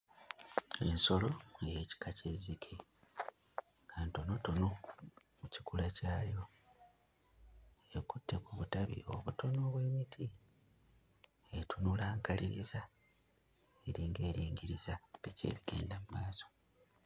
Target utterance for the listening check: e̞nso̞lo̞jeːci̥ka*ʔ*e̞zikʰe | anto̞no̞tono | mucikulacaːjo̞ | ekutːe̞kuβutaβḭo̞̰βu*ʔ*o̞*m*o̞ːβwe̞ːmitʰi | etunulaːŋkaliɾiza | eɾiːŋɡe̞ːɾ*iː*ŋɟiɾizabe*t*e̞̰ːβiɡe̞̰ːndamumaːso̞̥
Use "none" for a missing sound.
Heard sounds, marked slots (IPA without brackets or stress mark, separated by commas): c, t, n, iː, c